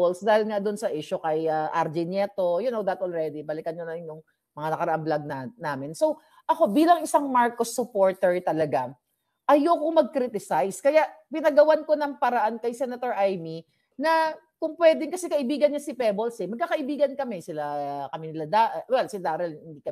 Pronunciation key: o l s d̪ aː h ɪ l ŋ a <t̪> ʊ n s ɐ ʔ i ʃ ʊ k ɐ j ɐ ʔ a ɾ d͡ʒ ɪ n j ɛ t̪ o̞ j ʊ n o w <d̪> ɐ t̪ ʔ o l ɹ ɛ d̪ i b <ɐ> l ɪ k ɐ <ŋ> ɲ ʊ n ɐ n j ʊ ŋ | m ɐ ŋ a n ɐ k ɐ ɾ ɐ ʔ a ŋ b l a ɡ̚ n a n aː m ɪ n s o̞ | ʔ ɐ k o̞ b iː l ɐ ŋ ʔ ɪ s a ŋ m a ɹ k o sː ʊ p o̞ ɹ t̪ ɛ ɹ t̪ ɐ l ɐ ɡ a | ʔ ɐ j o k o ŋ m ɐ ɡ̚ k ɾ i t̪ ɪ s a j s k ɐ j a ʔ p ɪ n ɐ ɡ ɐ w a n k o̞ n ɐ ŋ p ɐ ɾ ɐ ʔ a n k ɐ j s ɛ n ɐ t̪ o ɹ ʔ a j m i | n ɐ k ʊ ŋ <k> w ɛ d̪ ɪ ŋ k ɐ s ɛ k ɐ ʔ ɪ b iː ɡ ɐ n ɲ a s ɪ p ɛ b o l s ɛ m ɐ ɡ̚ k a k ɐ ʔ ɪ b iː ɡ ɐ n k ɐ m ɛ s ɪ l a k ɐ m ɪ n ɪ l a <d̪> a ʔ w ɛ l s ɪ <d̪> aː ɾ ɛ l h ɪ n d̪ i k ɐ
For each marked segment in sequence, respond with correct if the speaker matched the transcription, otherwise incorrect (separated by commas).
incorrect, correct, correct, incorrect, incorrect, correct, correct